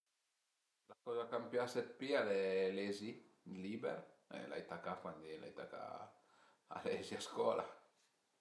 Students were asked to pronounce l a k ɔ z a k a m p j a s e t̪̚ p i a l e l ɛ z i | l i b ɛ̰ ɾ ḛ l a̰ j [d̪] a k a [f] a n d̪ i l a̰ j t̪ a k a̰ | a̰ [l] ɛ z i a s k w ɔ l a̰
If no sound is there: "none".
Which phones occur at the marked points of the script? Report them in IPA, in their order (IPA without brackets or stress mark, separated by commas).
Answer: t̪, f, l